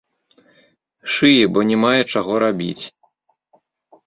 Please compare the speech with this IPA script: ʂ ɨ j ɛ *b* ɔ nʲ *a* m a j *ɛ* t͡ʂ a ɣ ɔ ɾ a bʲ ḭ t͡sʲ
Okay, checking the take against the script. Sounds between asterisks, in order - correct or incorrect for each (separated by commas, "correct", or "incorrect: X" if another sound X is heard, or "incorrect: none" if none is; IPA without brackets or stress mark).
correct, incorrect: ɛ, correct